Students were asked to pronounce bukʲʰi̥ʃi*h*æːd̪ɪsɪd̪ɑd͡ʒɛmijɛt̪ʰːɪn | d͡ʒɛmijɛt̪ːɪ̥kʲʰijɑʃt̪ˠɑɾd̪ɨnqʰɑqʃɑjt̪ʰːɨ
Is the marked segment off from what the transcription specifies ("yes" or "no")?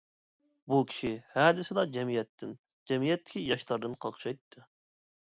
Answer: no